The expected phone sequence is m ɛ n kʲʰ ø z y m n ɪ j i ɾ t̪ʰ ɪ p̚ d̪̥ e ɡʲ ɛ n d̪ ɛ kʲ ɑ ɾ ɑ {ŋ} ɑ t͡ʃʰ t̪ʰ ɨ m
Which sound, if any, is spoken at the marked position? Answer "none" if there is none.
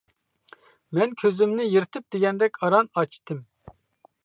n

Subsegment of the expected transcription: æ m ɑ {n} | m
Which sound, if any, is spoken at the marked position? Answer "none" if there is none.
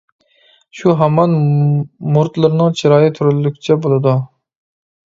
n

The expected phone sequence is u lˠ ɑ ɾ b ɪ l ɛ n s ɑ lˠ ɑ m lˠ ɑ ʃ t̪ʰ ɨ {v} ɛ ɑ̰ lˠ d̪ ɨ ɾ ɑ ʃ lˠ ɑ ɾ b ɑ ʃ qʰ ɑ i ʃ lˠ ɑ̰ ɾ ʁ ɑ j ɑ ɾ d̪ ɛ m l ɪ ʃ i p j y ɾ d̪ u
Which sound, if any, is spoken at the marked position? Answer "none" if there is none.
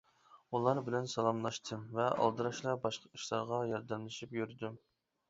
v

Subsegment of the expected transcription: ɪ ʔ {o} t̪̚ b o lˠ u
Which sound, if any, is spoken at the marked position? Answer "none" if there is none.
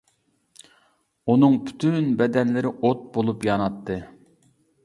o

